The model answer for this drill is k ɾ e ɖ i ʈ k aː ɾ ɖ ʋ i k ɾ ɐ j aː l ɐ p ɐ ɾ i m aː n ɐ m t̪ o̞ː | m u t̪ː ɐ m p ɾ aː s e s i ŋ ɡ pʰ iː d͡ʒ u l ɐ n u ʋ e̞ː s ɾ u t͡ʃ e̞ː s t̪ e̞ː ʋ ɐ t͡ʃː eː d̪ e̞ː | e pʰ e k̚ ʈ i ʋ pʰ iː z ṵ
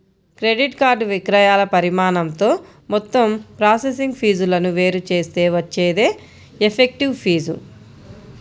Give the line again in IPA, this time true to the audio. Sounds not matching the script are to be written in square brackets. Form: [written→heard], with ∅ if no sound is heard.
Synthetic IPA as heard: k ɾ e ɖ i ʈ k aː ɾ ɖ ʋ i k ɾ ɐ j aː l ɐ p ɐ ɾ i m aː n ɐ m t̪ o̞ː | m [u→ɔ] t̪ː ɐ m p ɾ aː s e s i ŋ ɡ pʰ iː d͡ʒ u l ɐ n u ʋ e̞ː [s→∅] ɾ u t͡ʃ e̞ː s t̪ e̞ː ʋ ɐ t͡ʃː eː d̪ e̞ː | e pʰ e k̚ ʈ i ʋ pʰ iː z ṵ